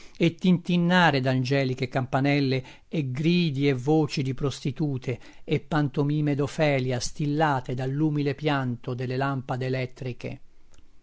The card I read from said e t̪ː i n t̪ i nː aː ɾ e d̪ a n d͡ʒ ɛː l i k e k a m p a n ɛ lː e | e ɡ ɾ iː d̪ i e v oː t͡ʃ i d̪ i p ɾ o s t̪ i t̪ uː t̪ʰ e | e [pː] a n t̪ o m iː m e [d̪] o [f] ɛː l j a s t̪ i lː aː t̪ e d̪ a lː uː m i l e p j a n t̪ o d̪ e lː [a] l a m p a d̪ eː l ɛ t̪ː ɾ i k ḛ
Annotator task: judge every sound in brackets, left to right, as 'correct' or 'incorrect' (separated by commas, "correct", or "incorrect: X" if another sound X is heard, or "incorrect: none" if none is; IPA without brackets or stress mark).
correct, correct, correct, incorrect: e